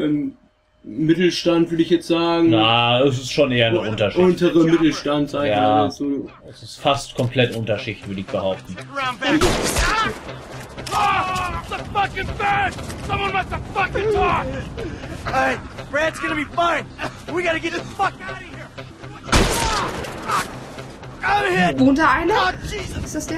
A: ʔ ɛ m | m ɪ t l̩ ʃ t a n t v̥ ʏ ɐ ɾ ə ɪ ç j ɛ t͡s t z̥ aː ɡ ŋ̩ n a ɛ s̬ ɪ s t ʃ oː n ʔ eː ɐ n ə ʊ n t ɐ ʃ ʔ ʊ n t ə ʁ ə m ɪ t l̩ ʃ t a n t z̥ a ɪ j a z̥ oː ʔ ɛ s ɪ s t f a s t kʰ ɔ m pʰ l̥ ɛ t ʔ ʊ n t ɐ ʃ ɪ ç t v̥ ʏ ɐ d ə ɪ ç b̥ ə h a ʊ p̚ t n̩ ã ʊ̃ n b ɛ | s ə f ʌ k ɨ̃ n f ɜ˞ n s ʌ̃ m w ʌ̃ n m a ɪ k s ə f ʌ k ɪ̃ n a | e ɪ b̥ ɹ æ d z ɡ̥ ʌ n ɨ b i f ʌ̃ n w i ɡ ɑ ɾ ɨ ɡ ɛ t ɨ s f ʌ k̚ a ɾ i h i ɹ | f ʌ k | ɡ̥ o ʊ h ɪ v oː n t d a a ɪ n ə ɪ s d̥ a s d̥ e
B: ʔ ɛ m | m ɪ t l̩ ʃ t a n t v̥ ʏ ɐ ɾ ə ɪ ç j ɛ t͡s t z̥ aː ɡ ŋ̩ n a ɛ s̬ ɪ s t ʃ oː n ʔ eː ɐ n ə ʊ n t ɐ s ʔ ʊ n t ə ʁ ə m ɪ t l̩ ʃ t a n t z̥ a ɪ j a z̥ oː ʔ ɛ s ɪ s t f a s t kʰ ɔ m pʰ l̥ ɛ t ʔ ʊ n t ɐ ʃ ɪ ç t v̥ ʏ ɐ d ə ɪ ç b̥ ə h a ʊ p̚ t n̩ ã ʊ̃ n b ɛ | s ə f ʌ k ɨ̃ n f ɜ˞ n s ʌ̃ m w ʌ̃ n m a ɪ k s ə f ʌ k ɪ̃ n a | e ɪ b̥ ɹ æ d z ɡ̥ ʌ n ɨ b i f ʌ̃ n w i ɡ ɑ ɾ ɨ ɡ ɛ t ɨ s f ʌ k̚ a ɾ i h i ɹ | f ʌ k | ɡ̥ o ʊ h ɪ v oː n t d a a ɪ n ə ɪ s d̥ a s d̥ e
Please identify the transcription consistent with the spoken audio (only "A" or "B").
A